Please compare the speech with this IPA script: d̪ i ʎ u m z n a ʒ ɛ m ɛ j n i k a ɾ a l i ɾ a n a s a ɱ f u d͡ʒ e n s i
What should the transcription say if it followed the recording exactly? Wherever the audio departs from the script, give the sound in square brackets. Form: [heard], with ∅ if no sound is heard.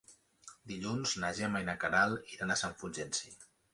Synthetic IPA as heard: d̪ i ʎ u [n] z n a ʒ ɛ m [a] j n [a] k a ɾ a l i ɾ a n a s a ɱ f u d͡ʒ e n s i